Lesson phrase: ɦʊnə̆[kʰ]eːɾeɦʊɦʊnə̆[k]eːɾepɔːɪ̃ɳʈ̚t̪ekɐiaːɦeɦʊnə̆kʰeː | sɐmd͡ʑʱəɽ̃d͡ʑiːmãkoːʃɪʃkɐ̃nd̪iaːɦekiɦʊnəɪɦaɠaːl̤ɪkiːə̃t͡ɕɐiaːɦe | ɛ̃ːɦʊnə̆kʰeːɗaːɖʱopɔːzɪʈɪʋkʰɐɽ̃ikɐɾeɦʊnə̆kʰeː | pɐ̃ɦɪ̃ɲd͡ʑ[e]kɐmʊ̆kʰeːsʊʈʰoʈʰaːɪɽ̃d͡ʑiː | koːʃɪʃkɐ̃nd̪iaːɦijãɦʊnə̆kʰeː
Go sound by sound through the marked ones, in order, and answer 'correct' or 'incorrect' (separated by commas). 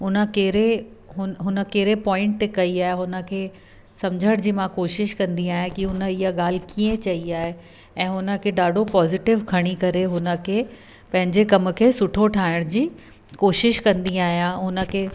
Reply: incorrect, correct, correct